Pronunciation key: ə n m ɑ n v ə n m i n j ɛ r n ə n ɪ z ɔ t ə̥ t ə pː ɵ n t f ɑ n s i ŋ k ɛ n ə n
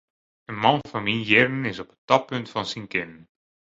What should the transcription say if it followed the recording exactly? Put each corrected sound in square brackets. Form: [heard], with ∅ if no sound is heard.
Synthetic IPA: ə n m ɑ n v [ɑ] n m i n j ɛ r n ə n ɪ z ɔ [p] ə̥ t [ɑ] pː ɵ n t f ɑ n s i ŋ k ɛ n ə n